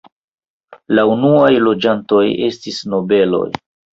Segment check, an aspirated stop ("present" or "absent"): absent